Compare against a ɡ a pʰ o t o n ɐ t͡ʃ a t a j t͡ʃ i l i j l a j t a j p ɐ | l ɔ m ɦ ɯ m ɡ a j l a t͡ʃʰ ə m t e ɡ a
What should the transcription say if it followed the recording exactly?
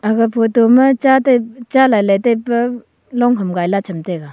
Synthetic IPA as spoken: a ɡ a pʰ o t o m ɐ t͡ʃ a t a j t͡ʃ a l a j l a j t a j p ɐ | l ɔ ŋ ɦ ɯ m ɡ a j l a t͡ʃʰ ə m t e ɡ a